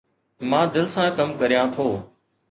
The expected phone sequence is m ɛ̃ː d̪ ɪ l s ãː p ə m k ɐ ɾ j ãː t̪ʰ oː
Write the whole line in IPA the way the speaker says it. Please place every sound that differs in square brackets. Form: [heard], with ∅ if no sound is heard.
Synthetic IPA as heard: m [ãː] d̪ ɪ l s ãː [k] ə m k [ə] ɾ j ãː t̪ʰ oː